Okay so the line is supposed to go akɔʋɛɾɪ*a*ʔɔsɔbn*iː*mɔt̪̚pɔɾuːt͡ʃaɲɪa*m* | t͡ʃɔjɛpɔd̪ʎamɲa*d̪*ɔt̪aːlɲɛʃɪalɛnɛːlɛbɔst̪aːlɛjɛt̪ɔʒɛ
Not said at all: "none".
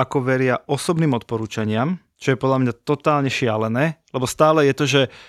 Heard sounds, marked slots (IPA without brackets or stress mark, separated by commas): a, iː, m, t̪